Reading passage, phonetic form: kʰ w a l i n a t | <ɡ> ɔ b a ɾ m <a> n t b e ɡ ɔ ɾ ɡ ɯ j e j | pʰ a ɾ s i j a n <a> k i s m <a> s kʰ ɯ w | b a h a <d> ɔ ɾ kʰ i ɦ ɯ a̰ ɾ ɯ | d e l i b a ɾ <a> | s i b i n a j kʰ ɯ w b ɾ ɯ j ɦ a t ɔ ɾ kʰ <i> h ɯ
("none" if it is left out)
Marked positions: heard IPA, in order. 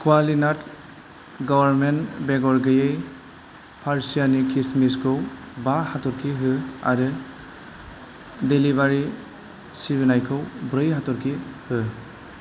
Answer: ɡ, e, i, i, t, i, i

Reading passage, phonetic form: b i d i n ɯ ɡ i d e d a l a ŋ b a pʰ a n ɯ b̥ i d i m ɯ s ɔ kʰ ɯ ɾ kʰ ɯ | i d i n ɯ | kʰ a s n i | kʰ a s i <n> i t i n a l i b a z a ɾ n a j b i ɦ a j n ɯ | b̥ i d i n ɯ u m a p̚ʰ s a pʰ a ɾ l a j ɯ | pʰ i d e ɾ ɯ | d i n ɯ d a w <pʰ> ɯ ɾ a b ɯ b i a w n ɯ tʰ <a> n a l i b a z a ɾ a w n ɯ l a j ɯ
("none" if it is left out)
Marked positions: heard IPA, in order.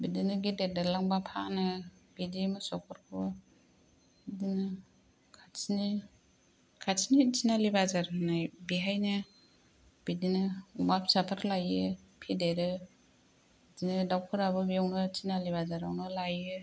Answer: n, kʰ, i

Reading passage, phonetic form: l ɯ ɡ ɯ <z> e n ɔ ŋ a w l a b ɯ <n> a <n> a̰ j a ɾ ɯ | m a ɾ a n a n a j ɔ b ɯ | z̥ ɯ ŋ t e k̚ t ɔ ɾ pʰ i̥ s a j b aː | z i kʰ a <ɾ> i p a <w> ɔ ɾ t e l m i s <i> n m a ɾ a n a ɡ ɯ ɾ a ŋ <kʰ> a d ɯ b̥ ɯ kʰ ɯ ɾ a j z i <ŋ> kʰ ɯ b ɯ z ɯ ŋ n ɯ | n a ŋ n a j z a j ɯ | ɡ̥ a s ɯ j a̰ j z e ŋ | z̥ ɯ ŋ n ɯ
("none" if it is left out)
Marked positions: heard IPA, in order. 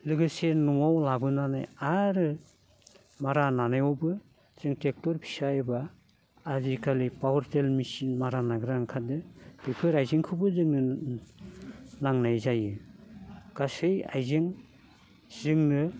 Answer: s, n, n, l, w, i, kʰ, ŋ

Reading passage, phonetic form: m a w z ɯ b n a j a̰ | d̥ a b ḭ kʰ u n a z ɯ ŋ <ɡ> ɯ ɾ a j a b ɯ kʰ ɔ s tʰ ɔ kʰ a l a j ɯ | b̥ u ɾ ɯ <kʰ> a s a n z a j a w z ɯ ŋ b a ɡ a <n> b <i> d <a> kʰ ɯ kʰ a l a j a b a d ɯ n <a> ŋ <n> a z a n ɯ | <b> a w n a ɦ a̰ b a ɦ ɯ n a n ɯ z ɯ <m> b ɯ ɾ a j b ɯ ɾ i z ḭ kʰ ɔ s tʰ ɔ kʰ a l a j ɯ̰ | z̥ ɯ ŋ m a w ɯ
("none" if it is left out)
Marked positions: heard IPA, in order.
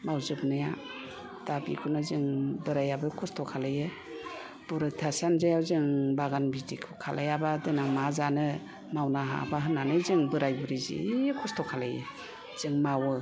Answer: b, tʰ, n, i, i, a, m, m, ŋ

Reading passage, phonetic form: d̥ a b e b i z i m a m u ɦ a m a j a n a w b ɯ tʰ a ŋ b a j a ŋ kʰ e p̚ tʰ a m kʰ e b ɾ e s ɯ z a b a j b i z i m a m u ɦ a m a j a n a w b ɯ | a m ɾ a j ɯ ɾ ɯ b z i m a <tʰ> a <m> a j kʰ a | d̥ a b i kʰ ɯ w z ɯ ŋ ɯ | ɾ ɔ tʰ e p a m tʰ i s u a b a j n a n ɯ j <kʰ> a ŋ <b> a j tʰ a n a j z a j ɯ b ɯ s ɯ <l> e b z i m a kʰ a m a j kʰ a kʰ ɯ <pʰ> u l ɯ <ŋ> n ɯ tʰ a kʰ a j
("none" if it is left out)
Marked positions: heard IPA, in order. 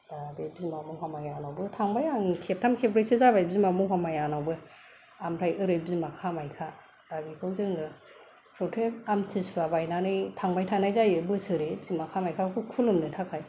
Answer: kʰ, m, tʰ, b, ɾ, kʰ, m

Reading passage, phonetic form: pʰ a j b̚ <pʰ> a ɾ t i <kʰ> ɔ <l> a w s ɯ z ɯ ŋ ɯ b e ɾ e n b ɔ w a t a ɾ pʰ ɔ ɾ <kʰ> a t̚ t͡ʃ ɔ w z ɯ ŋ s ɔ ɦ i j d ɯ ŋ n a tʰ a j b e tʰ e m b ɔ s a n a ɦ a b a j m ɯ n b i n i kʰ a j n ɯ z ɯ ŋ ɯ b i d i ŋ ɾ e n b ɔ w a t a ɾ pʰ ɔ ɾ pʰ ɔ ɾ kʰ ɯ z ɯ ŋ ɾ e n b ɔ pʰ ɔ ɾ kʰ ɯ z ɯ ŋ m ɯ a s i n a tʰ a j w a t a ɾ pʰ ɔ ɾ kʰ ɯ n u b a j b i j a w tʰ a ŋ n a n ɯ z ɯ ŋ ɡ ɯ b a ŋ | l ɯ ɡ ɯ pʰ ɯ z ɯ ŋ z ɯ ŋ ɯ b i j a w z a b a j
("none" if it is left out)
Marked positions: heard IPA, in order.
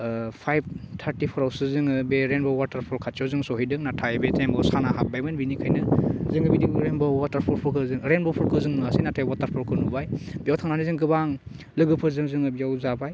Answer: tʰ, pʰ, ɾ, kʰ

